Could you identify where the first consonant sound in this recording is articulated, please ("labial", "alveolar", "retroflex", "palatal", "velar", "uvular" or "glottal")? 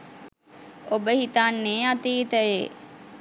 labial